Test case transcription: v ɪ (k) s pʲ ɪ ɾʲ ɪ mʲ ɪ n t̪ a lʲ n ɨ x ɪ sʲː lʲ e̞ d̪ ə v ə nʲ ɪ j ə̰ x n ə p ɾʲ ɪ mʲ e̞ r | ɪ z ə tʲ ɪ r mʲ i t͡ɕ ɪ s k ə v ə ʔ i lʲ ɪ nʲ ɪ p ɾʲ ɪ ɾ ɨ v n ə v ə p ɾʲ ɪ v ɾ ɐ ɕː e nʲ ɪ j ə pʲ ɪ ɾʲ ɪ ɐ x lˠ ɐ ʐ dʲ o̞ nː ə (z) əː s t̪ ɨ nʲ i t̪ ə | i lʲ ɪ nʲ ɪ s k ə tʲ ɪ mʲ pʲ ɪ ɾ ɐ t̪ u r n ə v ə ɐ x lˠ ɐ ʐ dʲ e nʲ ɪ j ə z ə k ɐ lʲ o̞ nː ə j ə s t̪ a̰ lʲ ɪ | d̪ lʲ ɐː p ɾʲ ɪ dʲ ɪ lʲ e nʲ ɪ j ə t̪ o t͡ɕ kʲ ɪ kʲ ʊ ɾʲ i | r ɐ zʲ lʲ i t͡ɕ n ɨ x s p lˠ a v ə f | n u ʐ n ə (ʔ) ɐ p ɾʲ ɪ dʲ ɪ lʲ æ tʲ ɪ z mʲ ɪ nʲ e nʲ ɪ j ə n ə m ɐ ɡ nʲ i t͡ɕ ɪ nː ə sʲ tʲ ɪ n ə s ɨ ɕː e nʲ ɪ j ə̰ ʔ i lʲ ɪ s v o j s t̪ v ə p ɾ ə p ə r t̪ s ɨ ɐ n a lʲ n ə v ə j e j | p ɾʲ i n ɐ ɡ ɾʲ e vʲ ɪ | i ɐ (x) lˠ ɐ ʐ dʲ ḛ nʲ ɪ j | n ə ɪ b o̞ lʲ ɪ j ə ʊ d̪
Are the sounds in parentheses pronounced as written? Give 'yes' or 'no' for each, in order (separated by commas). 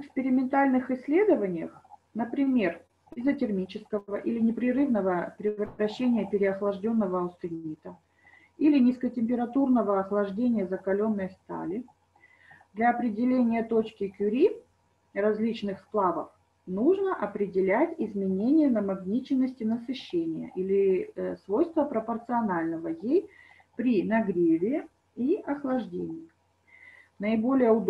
yes, no, yes, yes